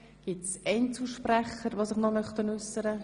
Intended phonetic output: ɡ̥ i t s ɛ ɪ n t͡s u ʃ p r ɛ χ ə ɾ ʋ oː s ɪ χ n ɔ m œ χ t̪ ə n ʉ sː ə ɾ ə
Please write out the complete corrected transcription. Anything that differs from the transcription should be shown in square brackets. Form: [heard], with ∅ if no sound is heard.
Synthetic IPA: ɡ̥ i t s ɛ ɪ n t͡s u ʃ p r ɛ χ ə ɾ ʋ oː s ɪ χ n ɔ m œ χ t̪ ə n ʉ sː ə ɾ ə

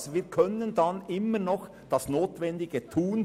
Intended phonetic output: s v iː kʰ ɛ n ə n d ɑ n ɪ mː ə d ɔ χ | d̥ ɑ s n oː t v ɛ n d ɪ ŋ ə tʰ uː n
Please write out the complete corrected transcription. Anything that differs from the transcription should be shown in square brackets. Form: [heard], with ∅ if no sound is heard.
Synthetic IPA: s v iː kʰ [œ] n ə n d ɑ n ɪ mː ə [n] ɔ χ | d̥ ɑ s n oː t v ɛ n d ɪ [ɡ] ə tʰ uː n

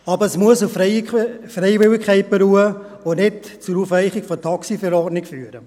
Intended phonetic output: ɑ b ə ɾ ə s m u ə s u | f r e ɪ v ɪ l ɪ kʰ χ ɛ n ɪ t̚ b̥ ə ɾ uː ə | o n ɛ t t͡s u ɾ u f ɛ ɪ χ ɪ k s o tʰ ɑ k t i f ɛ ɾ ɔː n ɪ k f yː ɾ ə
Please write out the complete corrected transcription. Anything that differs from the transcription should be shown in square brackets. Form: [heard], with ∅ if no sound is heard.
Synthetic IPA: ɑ b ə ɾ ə s m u ə s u | f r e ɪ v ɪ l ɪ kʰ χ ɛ [∅] ɪ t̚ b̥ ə ɾ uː ə | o n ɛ t t͡s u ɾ u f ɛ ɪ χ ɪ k [f] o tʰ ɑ k [s] i f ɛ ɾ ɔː n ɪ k f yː ɾ ə

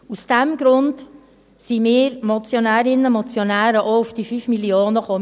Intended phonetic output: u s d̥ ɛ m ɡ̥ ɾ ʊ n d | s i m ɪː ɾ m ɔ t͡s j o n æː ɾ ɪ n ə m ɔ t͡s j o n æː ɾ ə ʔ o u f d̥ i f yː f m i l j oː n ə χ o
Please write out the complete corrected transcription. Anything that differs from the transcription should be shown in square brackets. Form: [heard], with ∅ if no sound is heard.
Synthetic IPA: u s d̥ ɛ m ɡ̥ ɾ ʊ n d | s i m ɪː ɾ m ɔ t͡s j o n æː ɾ ɪ n ə m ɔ t͡s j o n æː ɾ ə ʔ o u f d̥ i f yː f m i l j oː n ə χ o

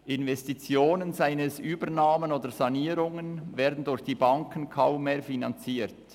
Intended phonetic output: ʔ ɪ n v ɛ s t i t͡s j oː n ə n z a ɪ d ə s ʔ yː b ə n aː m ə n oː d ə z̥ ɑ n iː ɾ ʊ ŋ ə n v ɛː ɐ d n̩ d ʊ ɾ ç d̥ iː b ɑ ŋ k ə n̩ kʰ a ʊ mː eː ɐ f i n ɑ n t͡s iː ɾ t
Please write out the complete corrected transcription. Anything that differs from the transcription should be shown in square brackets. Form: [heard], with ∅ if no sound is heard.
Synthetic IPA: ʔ ɪ n v ɛ s t i t͡s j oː n ə n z a ɪ [n] ə s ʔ yː b ə n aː m ə n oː d ə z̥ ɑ n iː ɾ ʊ ŋ ə n v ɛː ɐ d n̩ d ʊ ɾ ç d̥ iː b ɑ ŋ k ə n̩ kʰ a ʊ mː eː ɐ f i n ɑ n t͡s iː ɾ t

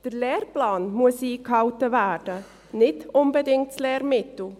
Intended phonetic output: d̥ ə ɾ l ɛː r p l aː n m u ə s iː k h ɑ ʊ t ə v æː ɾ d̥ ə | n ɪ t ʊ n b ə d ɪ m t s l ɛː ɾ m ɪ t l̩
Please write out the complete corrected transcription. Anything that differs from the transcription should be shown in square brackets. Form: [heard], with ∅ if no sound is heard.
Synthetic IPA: d̥ ə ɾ l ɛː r p l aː n m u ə s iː k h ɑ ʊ t ə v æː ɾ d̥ ə | n ɪ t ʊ n b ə d ɪ [ŋ] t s l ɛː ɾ m ɪ t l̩

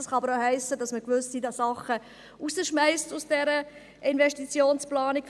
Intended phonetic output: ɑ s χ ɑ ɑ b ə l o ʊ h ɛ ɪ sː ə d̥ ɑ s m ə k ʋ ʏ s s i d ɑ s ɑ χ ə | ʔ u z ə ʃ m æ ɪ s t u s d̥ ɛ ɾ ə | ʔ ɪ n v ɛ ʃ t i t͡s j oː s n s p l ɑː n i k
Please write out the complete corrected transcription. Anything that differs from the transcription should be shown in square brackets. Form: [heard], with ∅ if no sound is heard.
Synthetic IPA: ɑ s χ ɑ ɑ b ə [ɾ] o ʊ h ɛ ɪ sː ə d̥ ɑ s m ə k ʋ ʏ s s i d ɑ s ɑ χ ə | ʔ u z ə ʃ m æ ɪ s t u s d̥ ɛ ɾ ə | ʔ ɪ n v ɛ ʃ t i t͡s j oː [∅] n s p l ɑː n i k

